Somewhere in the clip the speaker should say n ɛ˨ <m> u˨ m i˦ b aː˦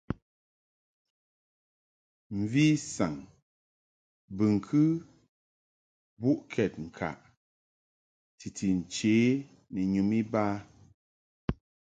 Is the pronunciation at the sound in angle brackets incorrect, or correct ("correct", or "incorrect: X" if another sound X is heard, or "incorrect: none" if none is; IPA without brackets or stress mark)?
incorrect: ɲ